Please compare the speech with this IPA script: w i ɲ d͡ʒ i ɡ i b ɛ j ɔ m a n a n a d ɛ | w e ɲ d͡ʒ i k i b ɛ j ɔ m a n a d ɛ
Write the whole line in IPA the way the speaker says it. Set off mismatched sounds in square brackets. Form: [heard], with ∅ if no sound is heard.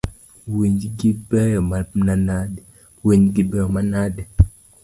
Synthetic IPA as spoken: w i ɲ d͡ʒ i ɡ i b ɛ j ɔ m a n a n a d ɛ | w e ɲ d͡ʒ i [ɡ] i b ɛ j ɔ m a n a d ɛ